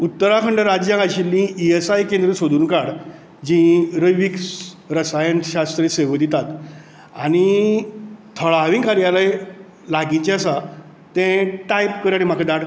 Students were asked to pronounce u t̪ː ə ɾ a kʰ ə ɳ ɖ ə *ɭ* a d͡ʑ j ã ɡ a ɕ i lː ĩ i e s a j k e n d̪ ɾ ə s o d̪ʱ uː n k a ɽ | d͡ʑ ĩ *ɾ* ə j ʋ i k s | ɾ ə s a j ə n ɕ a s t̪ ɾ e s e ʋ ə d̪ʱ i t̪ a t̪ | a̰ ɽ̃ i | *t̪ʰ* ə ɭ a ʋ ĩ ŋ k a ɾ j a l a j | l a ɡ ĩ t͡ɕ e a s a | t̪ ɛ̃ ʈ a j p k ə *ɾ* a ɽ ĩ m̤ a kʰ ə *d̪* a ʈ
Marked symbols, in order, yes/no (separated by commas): no, yes, yes, yes, yes